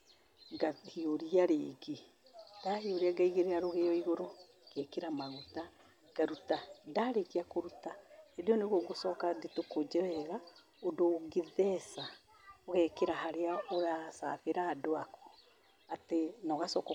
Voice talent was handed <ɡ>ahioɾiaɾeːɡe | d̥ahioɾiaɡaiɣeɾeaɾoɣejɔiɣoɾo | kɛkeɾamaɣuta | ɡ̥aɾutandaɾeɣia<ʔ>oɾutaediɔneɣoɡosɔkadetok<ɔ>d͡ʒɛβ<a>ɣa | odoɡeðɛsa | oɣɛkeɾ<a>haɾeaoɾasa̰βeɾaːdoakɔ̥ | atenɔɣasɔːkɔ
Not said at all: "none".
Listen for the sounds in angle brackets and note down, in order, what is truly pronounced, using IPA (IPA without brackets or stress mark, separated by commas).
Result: ɡ, k, o, ɛ, a